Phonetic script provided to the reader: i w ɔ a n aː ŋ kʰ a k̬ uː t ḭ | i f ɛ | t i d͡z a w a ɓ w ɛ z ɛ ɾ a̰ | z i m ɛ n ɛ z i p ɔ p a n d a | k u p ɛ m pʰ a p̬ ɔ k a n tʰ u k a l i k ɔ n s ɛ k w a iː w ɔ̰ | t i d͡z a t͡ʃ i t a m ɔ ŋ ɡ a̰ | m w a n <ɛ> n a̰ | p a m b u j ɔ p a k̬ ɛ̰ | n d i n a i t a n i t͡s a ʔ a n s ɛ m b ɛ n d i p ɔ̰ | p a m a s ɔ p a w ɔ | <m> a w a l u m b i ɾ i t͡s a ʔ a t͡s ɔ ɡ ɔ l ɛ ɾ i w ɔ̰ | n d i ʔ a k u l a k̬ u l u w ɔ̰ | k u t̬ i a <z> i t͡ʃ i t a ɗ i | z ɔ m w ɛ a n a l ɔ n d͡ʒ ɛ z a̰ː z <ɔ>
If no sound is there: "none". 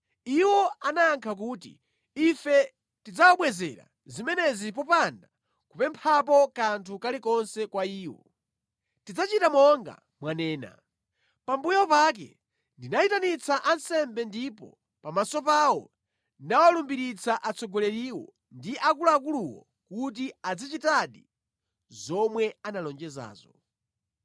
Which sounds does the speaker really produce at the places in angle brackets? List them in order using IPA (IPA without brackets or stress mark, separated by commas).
ɛː, n, d͡z, ɔ